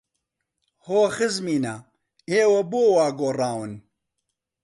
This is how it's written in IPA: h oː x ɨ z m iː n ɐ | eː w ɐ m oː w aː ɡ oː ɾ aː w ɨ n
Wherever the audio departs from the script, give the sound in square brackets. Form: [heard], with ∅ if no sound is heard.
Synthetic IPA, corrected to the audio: h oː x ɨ z m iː n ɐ | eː w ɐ [b] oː w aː ɡ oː [r] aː w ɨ n